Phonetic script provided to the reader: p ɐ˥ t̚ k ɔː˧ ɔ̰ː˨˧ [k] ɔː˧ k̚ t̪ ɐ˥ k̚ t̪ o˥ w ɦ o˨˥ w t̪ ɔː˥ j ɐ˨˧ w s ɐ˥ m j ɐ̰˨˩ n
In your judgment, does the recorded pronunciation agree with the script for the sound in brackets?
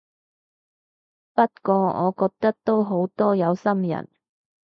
yes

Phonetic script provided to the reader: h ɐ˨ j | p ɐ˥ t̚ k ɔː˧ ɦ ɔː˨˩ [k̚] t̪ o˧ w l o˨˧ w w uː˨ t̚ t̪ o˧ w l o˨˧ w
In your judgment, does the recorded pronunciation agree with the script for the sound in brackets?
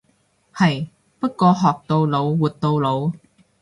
yes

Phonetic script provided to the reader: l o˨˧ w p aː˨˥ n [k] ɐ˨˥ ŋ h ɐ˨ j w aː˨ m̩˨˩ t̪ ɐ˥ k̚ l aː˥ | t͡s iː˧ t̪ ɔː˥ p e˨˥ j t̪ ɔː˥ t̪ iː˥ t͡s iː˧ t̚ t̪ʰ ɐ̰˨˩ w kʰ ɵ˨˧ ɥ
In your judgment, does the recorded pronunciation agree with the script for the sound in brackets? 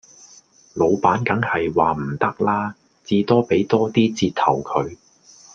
yes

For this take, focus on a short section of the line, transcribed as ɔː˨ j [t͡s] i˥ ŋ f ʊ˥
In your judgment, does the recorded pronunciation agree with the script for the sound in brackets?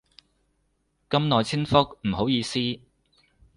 no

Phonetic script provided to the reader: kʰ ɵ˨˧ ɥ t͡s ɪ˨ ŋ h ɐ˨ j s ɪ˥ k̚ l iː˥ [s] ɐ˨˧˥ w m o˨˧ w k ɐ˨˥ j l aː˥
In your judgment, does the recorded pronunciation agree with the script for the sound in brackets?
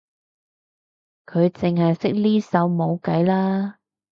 yes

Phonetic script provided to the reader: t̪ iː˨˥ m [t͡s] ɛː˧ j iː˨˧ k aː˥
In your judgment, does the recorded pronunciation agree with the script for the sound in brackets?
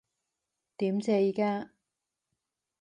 yes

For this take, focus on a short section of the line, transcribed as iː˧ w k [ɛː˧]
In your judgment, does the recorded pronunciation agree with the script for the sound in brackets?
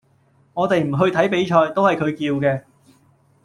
yes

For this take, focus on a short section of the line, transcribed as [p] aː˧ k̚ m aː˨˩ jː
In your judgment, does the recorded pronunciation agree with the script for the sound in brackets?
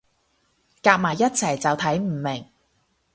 no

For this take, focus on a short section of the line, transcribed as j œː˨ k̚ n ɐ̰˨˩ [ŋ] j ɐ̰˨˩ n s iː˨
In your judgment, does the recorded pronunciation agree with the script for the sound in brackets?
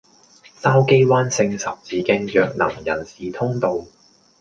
yes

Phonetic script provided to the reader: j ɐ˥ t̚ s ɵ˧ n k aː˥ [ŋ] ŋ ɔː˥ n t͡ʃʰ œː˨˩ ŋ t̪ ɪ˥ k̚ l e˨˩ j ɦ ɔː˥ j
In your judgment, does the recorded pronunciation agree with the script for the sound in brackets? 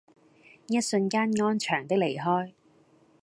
no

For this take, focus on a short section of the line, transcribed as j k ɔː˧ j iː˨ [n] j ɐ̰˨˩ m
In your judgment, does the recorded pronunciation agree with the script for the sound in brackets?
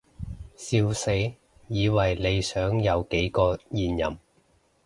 yes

